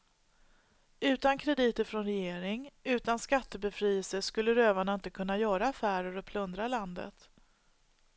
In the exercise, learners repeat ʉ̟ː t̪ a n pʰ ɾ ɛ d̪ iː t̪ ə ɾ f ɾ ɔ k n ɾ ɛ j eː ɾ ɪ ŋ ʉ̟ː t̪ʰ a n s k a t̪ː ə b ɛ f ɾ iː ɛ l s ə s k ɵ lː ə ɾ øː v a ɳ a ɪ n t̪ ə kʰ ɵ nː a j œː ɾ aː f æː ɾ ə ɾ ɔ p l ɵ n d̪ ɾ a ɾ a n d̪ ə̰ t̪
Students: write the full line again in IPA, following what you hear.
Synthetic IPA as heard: ʉ̟ː t̪ a n kʰ ɾ ɛ d̪ iː t̪ ə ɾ f ɾ ɔ n ɾ ɛ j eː ɾ ɪ ŋ ʉ̟ː t̪ a n s k a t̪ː ə b ɛ f ɾ iː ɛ l s ə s k ɵ lː ə ɾ øː v a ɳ a ɪ n t̪ ə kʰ ɵ nː a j œː ɾ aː f æː ɾ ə ɾ ɔ pʰ l ɵ n d̪ ɾ a l a n d̪ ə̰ t̪